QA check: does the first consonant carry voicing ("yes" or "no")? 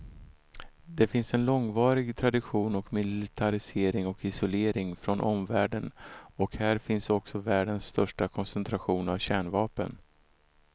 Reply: yes